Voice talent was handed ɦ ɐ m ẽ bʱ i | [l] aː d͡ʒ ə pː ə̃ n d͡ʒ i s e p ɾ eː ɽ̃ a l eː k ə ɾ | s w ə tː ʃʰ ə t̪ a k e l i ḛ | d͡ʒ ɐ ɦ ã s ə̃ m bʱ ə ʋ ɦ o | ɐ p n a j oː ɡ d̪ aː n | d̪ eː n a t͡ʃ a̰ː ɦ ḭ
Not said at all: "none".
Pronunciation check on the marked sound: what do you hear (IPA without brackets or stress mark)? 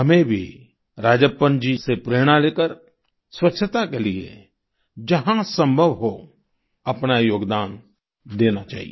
ɾ